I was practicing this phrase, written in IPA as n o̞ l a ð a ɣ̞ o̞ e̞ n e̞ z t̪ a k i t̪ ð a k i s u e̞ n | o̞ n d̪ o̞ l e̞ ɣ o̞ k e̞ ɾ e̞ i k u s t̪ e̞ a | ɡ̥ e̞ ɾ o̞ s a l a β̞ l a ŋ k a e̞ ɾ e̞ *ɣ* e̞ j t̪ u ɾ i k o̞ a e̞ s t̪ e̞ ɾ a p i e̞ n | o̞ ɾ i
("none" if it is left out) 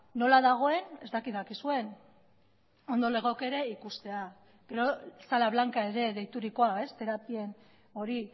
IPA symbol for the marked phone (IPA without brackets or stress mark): ð